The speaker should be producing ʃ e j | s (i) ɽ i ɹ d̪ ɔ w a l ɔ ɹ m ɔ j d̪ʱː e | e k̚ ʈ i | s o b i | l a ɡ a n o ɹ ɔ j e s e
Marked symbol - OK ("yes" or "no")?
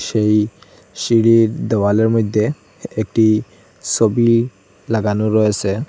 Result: yes